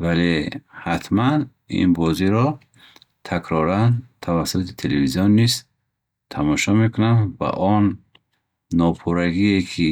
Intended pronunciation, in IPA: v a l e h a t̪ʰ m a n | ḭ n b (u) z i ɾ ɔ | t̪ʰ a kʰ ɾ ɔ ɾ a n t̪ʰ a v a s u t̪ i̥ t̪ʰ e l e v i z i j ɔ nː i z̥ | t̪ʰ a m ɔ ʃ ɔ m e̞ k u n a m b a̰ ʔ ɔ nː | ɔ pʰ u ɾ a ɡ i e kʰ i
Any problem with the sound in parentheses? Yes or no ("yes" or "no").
yes